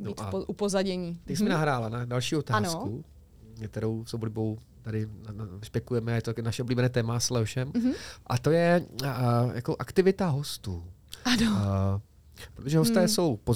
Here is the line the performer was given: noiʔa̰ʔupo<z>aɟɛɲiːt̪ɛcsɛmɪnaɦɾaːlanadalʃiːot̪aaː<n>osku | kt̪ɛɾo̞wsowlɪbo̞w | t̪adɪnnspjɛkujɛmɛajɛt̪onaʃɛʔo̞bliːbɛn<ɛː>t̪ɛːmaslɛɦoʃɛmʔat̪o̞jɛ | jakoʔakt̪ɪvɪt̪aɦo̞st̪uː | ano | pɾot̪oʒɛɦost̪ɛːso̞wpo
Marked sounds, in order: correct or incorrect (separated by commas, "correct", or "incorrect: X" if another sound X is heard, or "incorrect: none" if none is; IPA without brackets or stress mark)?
correct, correct, correct